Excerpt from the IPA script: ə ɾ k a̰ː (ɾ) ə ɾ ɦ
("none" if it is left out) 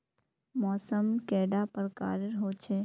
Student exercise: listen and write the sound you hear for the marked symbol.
ɾ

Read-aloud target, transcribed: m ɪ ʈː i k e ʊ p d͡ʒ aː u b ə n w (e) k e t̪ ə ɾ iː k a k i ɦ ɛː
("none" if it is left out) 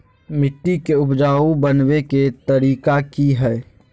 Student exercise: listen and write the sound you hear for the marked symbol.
e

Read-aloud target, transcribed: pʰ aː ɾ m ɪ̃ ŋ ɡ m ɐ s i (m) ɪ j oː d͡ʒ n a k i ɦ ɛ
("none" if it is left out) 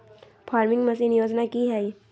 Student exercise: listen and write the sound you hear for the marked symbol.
n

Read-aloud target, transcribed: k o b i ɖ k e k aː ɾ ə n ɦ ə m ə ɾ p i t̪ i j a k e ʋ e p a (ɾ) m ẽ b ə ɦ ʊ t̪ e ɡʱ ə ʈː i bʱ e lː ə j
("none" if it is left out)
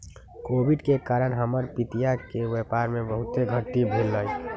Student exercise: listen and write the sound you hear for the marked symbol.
ɾ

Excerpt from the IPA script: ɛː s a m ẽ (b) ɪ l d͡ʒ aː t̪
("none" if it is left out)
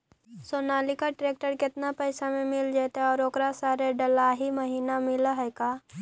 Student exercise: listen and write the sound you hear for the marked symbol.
m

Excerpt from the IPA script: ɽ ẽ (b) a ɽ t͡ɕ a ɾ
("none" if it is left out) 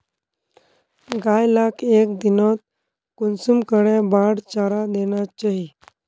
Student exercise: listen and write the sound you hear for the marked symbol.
b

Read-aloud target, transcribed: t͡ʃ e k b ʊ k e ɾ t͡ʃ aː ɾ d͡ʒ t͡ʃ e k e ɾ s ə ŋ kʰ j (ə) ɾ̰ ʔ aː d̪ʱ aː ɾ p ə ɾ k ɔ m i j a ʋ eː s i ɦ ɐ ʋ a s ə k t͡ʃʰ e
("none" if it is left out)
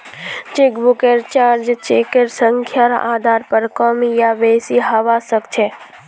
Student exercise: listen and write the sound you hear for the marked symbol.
a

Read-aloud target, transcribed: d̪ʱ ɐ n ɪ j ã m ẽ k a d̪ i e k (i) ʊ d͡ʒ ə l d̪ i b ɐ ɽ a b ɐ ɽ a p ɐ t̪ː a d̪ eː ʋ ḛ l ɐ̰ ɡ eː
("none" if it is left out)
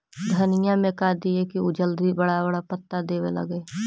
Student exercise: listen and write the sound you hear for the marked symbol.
i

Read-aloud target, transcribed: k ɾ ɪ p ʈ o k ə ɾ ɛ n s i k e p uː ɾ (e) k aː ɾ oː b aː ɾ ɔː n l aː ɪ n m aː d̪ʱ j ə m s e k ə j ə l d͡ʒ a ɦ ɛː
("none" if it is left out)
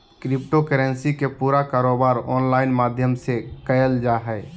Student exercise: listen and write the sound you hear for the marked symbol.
a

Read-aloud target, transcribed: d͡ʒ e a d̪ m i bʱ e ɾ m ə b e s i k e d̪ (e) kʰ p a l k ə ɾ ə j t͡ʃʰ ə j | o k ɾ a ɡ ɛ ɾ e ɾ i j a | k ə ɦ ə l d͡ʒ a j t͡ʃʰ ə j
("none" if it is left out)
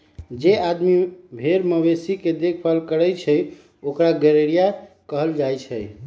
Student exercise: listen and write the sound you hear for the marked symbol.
e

